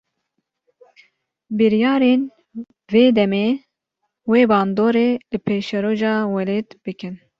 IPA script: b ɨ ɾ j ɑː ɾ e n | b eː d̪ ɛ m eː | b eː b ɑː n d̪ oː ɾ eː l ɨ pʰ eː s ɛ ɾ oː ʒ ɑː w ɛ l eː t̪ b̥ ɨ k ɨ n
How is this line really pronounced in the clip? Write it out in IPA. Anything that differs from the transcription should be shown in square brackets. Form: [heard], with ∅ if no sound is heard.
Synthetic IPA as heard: b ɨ ɾ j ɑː ɾ e n | [v] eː d̪ ɛ m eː | [w] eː b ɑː n d̪ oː ɾ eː l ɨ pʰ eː [ʃ] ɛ ɾ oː ʒ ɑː w ɛ l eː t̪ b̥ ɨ k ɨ n